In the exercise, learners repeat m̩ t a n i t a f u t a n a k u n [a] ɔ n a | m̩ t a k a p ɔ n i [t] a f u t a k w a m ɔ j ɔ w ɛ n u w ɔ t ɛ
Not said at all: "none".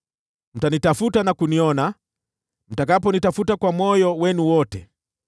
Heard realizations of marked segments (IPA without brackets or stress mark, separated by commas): i, t